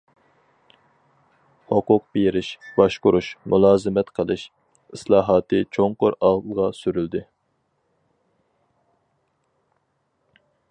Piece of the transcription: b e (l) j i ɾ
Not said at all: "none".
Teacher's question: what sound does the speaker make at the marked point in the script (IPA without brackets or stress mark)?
none